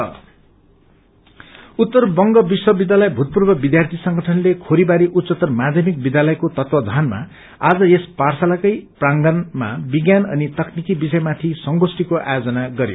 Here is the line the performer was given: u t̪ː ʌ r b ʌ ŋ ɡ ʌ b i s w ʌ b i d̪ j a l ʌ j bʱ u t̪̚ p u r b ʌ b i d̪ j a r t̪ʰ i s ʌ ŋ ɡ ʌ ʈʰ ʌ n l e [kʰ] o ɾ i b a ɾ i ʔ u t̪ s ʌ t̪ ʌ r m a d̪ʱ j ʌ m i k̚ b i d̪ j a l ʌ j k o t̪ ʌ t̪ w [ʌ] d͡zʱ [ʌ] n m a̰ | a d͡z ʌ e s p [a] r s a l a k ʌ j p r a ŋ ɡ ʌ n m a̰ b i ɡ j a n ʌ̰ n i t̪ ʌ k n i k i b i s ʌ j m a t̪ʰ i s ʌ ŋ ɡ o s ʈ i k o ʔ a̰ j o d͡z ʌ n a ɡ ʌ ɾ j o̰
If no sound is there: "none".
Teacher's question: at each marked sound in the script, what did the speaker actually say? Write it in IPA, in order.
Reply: kʰ, ʌ, a, a

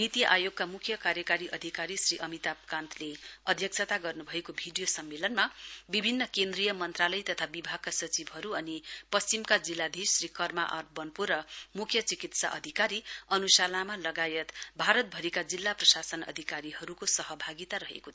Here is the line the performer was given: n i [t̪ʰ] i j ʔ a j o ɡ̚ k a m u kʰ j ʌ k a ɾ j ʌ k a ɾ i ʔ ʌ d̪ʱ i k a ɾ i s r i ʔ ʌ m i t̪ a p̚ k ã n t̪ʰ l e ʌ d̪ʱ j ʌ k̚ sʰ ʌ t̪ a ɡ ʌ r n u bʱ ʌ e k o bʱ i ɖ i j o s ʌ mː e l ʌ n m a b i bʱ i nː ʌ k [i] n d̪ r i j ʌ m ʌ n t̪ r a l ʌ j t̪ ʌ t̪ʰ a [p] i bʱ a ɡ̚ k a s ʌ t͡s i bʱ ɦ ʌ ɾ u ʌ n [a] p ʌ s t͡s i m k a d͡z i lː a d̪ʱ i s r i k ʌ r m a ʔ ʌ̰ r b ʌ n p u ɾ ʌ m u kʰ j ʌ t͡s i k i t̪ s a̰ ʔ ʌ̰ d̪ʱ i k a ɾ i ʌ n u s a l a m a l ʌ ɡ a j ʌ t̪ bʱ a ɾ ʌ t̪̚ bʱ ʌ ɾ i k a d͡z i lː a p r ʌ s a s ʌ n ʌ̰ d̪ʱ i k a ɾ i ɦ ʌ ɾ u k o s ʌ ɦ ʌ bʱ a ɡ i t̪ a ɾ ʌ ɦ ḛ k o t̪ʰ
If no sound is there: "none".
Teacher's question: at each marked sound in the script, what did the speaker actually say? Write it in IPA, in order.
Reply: t̪, e, b, i

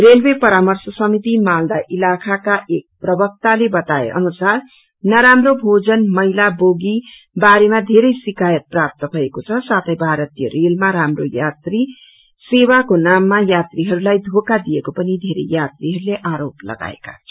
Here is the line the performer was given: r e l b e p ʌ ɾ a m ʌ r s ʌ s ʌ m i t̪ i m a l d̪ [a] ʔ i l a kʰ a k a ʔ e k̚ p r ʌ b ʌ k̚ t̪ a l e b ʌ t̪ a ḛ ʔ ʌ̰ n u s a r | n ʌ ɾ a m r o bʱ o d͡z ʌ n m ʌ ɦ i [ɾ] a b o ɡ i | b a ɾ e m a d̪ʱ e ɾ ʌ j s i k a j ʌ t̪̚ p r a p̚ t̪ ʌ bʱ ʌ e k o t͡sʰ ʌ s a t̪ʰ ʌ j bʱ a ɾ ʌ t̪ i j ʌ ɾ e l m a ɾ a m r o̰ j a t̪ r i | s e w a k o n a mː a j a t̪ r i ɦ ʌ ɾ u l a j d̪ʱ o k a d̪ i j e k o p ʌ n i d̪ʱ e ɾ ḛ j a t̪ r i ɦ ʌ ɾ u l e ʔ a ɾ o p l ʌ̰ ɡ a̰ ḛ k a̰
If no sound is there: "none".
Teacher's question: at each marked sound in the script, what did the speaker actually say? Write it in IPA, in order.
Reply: a, l

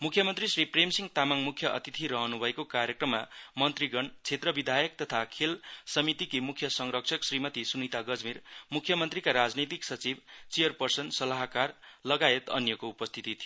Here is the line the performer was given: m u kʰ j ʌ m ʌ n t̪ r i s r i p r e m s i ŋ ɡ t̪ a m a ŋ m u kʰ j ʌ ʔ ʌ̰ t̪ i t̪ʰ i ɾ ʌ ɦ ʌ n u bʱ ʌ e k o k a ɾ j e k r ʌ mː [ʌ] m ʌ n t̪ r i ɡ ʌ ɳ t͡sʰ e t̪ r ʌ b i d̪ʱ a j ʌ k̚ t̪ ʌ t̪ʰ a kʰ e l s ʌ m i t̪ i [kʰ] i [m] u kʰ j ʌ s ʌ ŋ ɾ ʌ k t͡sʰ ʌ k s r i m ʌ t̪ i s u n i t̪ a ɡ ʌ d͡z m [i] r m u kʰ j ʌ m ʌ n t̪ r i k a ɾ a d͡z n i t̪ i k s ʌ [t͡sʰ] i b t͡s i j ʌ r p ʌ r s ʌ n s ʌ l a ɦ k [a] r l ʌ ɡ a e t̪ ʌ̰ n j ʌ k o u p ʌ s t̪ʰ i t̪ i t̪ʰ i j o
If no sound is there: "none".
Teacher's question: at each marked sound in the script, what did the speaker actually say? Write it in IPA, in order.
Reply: a, k, m, i, t͡s, a

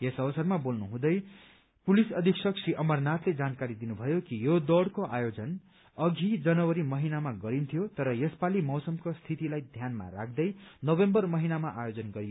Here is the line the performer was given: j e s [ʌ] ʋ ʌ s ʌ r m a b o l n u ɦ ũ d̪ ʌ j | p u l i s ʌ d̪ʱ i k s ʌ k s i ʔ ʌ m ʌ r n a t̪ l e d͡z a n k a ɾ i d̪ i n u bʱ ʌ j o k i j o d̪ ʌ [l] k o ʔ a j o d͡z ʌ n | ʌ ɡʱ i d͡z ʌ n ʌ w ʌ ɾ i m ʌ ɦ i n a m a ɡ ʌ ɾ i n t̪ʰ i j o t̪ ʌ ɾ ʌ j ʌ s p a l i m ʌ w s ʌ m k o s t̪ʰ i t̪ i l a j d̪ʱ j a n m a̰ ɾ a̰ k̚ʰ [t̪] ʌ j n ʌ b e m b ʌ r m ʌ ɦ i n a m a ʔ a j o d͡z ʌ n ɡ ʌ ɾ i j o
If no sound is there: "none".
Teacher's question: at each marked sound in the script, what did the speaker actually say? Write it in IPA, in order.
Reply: ʌ, ɽ, d̪

